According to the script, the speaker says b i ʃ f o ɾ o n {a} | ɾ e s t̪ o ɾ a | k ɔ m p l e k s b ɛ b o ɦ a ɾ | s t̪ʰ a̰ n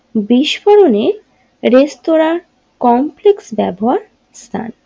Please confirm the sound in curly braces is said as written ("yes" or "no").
no